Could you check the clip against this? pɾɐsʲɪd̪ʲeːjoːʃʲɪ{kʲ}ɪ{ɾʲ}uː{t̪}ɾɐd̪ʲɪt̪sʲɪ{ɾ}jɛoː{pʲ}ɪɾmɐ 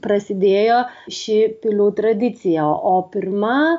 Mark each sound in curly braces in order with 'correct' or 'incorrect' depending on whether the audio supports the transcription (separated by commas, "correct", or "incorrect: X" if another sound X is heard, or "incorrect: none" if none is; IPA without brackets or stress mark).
incorrect: pʲ, incorrect: lʲ, correct, incorrect: none, correct